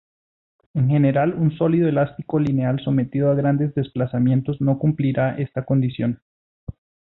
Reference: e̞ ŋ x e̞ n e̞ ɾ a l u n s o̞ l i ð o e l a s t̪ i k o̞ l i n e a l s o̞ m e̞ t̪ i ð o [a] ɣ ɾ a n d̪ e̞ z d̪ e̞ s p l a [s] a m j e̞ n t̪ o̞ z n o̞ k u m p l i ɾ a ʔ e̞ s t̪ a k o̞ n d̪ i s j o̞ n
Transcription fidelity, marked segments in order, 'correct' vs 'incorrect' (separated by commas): correct, correct